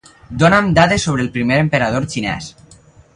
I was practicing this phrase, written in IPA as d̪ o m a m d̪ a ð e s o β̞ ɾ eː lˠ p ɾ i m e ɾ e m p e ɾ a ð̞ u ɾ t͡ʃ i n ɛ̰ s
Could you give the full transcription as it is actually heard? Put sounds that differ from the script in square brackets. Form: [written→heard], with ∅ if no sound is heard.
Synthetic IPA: d̪ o [m→n] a m d̪ a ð e s o β̞ ɾ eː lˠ p ɾ i m e ɾ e m p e ɾ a ð̞ [u→o] ɾ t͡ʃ i n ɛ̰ s